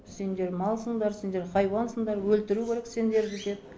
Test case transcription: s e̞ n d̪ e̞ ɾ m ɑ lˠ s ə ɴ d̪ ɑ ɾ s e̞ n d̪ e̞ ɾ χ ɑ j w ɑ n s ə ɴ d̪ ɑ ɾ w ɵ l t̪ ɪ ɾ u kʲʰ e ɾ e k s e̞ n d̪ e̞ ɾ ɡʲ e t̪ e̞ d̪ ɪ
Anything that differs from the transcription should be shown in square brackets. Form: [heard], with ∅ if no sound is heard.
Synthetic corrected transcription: s e̞ n d̪ e̞ ɾ m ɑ lˠ s ə ɴ d̪ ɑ ɾ s e̞ n d̪ e̞ ɾ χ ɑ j w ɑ n s ə ɴ d̪ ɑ ɾ w ɵ l t̪ ɪ ɾ u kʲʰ e ɾ e k s e̞ n d̪ e̞ ɾ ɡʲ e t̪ e̞ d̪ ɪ